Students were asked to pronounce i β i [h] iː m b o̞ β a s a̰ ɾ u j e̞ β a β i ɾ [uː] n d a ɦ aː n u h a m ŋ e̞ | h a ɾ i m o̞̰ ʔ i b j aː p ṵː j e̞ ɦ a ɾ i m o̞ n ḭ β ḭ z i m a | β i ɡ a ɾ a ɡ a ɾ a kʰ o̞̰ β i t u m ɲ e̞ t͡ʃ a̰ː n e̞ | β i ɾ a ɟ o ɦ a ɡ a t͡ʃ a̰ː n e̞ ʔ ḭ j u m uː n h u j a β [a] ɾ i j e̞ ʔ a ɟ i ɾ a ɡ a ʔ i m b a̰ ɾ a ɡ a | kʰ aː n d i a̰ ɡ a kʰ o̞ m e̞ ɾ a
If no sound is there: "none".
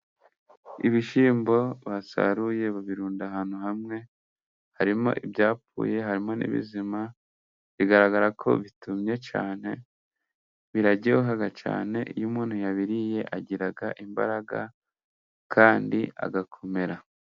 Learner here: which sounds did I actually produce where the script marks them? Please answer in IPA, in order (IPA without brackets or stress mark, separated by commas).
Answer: ʃ, uː, i